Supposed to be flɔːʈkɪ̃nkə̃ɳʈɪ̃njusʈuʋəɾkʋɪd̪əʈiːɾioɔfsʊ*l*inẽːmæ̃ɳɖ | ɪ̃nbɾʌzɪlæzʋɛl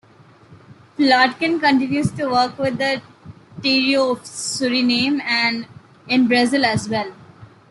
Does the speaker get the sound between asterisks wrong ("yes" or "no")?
yes